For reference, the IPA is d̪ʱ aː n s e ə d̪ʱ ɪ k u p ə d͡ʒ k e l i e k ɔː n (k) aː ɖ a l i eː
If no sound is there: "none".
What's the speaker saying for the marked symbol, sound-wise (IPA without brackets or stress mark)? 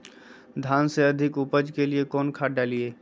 kʰ